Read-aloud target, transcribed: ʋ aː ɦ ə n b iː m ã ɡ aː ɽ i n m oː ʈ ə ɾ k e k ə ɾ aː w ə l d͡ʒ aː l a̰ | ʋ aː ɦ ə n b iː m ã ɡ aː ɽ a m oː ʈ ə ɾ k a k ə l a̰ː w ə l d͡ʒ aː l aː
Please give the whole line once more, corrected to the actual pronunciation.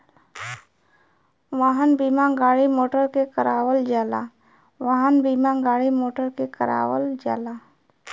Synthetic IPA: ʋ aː ɦ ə n b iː m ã ɡ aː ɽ i m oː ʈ ə ɾ k e k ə ɾ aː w ə l d͡ʒ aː l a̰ | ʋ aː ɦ ə n b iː m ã ɡ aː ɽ i m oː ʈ ə ɾ k e k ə ɾ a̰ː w ə l d͡ʒ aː l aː